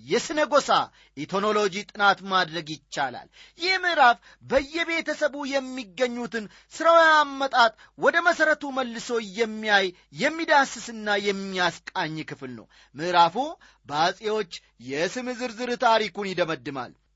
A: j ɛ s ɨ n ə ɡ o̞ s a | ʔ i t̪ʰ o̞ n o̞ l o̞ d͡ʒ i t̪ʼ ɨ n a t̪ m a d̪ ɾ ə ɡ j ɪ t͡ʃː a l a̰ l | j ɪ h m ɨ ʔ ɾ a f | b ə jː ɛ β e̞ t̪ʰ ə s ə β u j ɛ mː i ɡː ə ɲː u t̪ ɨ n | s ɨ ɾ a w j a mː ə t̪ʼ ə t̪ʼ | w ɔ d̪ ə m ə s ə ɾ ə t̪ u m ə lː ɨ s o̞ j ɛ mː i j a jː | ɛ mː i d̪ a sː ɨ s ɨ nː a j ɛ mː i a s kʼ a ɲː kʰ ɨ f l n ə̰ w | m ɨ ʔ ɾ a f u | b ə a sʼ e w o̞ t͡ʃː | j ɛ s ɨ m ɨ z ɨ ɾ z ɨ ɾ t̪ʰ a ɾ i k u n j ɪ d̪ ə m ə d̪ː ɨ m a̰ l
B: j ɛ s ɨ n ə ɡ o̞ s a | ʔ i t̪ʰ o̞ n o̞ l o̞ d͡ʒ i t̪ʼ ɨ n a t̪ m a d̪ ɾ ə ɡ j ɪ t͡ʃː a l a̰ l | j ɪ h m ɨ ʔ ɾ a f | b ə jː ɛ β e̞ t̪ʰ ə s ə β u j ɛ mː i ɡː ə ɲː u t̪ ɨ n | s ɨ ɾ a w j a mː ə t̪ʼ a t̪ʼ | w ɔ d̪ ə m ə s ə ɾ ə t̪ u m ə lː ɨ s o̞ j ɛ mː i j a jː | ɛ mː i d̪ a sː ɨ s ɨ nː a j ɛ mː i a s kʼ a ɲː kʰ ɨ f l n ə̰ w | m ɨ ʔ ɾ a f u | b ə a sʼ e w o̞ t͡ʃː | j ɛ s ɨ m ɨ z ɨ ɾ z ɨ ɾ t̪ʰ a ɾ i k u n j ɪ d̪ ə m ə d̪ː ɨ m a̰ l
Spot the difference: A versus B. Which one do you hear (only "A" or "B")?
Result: B